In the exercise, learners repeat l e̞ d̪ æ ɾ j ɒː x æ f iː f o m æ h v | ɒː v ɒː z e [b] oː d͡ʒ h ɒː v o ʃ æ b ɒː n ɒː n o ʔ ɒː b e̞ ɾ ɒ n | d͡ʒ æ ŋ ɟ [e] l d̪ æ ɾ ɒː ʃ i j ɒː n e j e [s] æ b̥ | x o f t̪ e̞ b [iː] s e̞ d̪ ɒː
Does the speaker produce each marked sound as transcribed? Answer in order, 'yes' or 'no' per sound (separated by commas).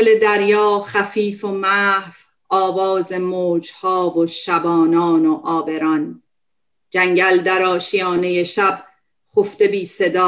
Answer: no, no, no, yes